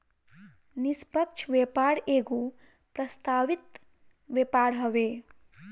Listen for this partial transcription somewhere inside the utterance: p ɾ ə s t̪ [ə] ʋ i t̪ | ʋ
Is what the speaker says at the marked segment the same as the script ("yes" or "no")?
no